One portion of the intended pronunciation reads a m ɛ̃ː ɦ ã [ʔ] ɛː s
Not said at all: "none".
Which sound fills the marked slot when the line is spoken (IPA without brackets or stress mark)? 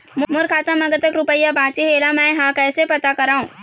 k